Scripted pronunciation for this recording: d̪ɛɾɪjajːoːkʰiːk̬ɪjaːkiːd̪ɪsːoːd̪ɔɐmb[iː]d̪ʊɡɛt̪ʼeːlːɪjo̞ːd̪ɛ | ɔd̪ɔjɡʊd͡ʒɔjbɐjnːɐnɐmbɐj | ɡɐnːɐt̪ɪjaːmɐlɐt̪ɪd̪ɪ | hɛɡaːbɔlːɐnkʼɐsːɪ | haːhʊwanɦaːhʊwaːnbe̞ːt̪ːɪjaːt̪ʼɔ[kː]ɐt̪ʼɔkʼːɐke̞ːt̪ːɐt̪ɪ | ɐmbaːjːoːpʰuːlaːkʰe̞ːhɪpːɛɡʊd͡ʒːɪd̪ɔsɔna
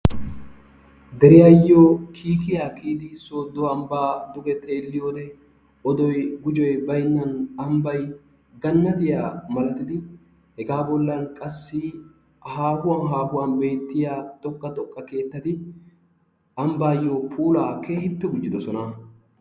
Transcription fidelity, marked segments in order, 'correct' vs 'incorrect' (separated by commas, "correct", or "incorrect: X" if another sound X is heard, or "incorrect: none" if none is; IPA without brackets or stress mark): incorrect: aː, correct